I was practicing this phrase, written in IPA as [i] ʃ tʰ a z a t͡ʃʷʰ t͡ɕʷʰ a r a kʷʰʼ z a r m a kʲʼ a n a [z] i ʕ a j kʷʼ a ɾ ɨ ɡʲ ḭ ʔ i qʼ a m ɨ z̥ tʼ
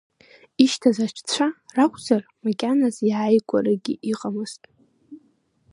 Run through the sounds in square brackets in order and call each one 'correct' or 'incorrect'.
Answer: correct, correct

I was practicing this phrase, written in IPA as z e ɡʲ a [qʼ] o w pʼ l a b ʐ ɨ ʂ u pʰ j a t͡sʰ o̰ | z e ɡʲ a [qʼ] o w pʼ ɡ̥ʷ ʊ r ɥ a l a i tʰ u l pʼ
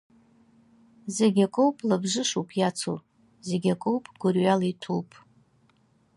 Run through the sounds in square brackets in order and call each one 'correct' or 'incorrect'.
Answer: incorrect, incorrect

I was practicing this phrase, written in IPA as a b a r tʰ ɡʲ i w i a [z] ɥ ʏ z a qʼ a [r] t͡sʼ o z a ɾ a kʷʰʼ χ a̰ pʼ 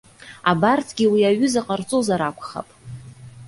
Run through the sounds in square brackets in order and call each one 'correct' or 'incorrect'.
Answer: incorrect, correct

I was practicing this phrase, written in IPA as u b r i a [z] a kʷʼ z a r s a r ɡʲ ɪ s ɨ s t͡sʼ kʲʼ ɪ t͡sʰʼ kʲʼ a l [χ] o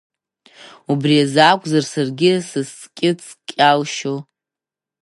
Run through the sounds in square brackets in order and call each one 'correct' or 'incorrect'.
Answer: correct, incorrect

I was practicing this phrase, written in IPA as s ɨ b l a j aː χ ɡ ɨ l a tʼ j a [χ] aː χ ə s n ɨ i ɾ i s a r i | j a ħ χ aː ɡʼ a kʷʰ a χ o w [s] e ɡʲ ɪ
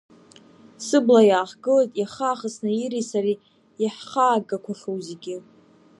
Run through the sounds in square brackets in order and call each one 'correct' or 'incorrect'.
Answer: correct, incorrect

